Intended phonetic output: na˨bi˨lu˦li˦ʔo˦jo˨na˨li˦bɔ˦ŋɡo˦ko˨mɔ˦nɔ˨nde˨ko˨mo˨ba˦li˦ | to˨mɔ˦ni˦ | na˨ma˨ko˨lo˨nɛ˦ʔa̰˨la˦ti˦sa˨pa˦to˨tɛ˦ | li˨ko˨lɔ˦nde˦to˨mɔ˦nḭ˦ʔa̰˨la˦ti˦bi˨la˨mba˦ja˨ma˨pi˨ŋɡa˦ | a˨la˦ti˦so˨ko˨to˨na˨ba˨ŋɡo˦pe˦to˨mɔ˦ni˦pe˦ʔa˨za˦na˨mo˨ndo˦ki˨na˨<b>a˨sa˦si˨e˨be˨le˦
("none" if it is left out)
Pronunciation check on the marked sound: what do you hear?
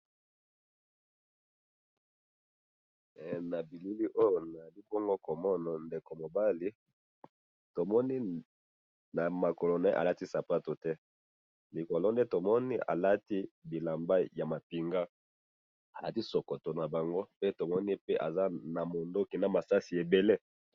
m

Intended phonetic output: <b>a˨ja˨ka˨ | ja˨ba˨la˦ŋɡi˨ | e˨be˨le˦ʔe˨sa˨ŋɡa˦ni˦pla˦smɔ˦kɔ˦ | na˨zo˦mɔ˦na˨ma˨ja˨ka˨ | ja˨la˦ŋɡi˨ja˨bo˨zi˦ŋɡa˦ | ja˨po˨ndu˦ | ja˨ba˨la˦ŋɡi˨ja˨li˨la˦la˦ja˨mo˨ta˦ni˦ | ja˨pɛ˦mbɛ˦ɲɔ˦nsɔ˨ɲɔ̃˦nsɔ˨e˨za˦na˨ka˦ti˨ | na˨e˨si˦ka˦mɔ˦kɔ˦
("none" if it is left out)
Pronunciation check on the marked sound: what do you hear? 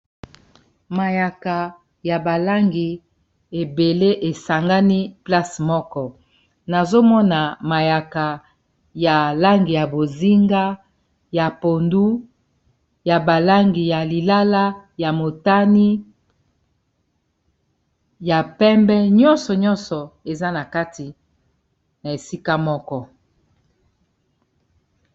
m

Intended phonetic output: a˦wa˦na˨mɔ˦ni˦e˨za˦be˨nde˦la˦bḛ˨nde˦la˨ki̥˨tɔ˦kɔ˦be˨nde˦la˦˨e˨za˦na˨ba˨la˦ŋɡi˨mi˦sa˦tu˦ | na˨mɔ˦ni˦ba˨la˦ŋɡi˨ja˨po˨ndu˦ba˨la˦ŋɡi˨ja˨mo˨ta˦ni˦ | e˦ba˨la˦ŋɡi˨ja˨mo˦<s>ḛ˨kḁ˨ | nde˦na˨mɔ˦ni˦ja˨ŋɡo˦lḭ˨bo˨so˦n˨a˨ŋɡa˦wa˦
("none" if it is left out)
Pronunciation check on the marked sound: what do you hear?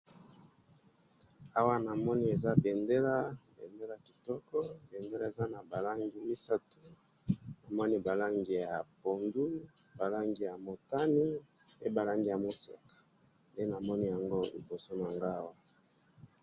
s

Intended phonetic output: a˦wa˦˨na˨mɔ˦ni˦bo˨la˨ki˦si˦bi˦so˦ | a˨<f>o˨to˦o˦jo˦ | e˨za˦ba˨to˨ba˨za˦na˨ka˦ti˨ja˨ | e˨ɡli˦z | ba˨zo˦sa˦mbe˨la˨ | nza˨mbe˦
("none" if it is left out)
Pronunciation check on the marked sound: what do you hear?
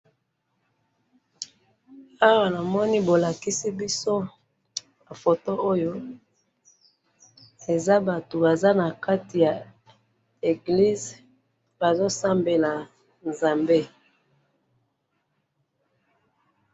f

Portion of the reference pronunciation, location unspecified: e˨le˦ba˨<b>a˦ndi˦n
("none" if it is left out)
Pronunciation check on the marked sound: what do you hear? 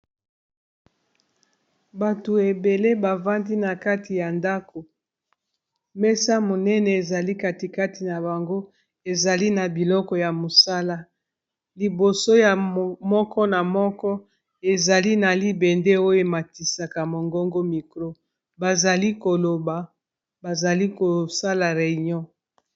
v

